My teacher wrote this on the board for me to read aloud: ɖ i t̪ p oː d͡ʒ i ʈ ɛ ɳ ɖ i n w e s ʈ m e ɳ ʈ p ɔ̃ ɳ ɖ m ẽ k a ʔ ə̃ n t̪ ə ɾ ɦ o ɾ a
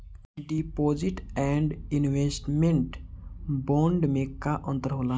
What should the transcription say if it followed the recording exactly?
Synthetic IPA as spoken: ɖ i p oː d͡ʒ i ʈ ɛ ɳ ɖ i n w e s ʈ m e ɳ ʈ b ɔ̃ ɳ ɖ m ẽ k a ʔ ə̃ n t̪ ə ɾ ɦ o l a